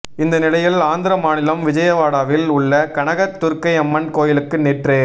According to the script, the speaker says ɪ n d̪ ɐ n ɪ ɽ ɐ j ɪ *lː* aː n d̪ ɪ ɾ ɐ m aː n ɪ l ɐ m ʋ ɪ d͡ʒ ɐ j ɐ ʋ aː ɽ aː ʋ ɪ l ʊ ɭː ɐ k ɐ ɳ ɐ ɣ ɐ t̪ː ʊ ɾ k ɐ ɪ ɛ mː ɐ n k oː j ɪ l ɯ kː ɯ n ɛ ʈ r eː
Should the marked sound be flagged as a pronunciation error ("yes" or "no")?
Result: yes